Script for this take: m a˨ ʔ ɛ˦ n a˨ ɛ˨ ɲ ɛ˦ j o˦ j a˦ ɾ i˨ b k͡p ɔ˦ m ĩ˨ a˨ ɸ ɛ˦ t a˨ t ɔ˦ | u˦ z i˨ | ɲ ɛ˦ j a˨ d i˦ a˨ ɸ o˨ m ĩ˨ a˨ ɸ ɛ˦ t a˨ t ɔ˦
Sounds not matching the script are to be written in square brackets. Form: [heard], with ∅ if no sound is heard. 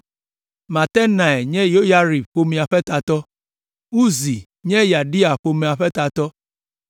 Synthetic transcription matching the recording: m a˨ [t] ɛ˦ n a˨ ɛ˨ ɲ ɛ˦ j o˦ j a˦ ɾ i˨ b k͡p [o˦] m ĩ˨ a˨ ɸ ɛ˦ t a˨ t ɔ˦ | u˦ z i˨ | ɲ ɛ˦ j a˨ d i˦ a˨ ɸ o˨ m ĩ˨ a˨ ɸ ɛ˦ t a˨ t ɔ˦